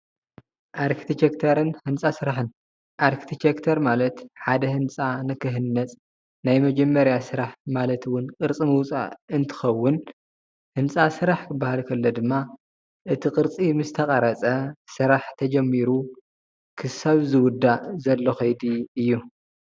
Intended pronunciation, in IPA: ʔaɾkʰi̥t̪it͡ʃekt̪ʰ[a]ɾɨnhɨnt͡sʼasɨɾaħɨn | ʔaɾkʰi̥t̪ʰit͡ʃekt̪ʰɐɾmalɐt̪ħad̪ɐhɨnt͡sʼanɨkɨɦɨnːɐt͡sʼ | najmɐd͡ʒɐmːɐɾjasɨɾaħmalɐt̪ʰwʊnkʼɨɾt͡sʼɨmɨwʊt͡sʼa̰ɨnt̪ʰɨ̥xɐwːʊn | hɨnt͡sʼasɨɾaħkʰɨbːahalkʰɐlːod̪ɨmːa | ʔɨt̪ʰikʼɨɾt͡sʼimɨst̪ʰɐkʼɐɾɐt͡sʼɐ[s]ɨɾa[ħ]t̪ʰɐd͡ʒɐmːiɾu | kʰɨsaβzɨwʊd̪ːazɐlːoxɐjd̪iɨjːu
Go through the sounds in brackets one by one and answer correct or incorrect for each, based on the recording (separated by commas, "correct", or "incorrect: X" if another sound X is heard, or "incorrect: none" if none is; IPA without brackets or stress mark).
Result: incorrect: ɐ, correct, correct